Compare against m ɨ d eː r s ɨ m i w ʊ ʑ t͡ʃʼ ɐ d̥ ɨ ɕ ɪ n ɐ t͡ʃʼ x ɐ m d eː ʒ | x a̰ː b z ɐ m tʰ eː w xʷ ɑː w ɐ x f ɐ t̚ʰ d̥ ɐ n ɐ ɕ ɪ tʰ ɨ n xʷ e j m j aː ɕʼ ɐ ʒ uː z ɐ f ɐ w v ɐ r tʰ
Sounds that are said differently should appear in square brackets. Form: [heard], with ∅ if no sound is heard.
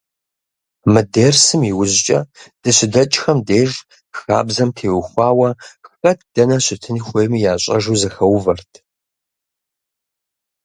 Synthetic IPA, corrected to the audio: m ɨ d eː r s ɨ m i w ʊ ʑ t͡ʃʼ ɐ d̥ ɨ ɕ ɪ [d] ɐ t͡ʃʼ x ɐ m d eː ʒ | x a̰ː b z ɐ m tʰ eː w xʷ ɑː w ɐ x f ɐ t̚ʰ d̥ ɐ n ɐ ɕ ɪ tʰ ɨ n xʷ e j m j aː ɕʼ ɐ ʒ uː z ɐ [x] ɐ w v ɐ r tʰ

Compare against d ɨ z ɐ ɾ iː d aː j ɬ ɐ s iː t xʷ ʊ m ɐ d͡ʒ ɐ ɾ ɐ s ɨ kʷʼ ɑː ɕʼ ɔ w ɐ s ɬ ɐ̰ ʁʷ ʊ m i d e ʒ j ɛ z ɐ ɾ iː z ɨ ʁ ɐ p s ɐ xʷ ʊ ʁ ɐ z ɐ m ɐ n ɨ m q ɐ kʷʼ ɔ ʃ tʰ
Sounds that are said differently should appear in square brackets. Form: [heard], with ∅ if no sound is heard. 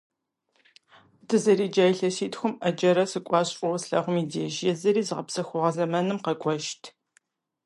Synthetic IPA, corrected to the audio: d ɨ z ɐ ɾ iː [d͡ʒ] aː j ɬ ɐ s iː t xʷ ʊ m ɐ d͡ʒ ɐ ɾ ɐ s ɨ kʷʼ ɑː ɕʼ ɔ w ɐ s ɬ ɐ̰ ʁʷ ʊ m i d e ʒ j ɛ z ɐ ɾ iː z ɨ ʁ ɐ p s ɐ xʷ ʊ ʁ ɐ z ɐ m ɐ n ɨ m q ɐ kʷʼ ɔ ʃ tʰ

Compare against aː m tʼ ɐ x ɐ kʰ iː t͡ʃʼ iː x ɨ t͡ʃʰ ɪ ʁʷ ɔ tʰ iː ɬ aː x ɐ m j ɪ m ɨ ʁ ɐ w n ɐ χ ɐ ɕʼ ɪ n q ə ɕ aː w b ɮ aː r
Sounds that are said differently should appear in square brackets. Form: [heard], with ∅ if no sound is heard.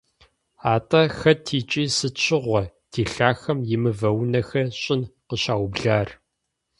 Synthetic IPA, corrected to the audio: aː [∅] tʼ ɐ x ɐ [tʰ] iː t͡ʃʼ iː [s] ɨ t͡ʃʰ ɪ ʁʷ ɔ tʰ iː ɬ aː x ɐ m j ɪ m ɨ [v] ɐ w n ɐ [x] ɐ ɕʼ ɪ n q ə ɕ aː w b ɮ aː r

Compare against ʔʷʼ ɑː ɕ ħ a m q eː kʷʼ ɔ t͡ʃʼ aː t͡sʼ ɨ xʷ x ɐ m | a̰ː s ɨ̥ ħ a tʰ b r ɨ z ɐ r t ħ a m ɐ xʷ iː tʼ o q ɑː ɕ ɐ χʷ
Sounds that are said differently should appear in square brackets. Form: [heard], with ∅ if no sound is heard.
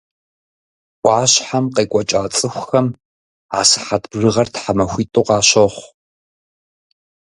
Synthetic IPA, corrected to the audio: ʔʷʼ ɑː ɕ ħ a m q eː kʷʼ ɔ t͡ʃʼ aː t͡sʼ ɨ xʷ x ɐ m | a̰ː s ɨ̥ ħ a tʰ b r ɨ [ʁ] ɐ r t ħ a m ɐ xʷ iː tʼ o q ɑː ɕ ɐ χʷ

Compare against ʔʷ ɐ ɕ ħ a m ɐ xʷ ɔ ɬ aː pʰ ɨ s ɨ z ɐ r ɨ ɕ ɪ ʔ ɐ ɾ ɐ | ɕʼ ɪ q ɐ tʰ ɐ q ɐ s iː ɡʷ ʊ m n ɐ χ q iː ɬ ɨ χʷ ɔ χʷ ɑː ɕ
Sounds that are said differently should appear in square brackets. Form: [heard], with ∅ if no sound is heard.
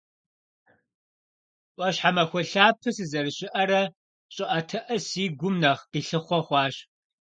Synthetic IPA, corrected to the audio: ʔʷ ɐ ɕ ħ a m ɐ xʷ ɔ ɬ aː pʰ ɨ s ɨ z ɐ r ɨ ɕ ɪ ʔ ɐ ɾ ɐ | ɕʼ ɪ [ʔ] ɐ tʰ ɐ [ʔ] ɐ s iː ɡʷ ʊ m n ɐ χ q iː ɬ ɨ χʷ ɔ χʷ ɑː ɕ

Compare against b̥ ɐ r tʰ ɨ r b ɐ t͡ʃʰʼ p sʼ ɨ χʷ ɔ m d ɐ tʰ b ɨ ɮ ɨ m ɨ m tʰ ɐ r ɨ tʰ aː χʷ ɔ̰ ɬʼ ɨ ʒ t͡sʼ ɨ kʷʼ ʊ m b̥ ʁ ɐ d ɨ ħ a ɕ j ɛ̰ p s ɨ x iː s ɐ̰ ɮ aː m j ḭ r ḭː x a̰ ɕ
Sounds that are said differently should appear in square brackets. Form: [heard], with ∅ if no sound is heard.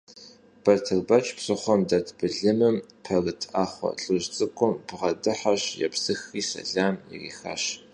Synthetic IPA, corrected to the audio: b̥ ɐ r tʰ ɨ r b ɐ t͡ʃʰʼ p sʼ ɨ χʷ ɔ m d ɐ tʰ b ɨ ɮ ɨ m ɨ m [pʰ] ɐ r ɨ tʰ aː χʷ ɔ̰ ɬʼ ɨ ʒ t͡sʼ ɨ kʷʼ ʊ m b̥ ʁ ɐ d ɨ ħ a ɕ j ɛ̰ p s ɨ x iː s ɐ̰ ɮ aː m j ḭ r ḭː x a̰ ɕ

